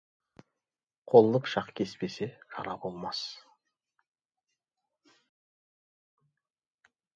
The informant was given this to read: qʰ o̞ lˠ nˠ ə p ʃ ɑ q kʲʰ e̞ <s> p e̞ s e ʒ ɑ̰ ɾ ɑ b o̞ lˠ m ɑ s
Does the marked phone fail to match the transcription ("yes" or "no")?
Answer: no